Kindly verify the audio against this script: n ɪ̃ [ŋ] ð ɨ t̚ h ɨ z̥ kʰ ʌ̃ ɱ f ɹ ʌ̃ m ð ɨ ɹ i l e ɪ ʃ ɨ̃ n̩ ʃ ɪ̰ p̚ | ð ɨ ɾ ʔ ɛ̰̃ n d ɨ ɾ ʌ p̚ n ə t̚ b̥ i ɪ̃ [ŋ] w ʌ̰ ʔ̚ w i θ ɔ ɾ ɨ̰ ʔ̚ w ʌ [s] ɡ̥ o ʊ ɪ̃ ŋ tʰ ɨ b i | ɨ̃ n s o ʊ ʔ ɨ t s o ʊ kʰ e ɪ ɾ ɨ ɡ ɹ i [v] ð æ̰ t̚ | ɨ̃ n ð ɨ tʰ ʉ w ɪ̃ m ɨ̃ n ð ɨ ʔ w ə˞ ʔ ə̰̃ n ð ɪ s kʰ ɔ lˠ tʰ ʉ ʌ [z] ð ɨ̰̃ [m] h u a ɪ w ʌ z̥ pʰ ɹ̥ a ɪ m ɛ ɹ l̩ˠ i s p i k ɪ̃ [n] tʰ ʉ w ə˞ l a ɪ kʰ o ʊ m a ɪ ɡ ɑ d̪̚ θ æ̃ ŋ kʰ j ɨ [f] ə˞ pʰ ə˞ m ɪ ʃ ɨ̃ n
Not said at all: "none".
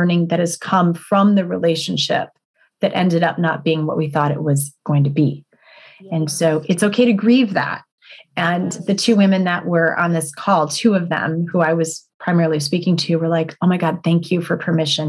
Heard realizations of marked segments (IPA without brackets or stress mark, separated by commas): ŋ, ŋ, z, v, v, m, ŋ, f